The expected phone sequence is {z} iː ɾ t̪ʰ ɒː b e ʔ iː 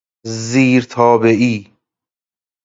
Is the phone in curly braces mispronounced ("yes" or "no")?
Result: no